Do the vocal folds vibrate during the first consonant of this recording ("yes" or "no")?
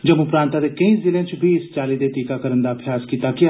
yes